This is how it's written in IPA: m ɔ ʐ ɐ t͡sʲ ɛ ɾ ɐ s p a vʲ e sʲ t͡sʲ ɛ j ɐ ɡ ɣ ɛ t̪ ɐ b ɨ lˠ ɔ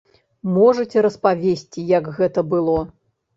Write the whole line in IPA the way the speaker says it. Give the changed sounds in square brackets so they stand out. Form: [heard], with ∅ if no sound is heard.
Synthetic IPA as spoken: m ɔ ʐ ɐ t͡sʲ ɛ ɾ ɐ s p a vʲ e sʲ t͡sʲ [i] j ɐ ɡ ɣ ɛ t̪ ɐ b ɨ lˠ ɔ